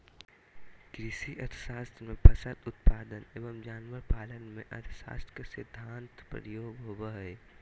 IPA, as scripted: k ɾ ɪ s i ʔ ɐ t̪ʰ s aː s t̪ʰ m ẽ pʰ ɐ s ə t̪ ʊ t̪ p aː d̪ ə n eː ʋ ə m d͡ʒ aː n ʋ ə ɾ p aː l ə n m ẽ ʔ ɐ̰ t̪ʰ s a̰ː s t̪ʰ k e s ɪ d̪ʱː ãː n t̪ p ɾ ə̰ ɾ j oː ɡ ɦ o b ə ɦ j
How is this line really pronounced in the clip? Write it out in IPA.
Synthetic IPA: k ɾ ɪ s i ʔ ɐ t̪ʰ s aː s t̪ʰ m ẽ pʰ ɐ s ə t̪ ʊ t̪ p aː d̪ ə n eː ʋ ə m d͡ʒ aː n ʋ ə ɾ p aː l ə n m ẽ ʔ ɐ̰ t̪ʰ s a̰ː s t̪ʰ k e s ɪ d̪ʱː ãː n t̪ p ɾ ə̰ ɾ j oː ɡ ɦ o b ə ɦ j